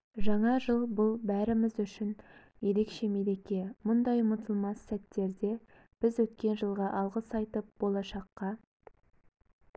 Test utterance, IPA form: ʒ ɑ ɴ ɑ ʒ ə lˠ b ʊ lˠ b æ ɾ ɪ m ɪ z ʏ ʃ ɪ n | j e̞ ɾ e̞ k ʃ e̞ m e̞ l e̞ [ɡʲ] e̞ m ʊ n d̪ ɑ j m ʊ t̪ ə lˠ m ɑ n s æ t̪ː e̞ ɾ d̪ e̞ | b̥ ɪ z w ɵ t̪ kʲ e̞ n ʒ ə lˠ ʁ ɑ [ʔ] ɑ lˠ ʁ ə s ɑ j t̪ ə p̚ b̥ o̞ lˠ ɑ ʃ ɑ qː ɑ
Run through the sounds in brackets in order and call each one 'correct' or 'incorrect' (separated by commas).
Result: incorrect, correct